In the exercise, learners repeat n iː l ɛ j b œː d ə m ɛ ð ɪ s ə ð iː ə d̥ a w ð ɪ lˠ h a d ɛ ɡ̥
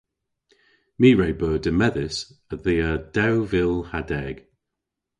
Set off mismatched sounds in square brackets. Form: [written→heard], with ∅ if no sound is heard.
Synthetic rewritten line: [n→m] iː [l→ɹ] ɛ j b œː d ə m ɛ ð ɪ s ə ð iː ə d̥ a w [ð→v] ɪ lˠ h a d ɛ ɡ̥